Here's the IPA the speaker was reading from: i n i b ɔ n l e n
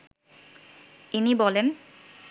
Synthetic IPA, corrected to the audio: i n i b ɔ l e n